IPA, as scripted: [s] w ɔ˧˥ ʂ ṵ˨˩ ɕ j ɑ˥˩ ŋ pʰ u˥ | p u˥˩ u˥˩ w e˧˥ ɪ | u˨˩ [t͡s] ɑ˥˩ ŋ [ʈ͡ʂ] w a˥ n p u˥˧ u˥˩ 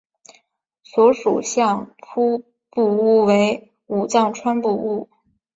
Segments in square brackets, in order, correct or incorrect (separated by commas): correct, correct, incorrect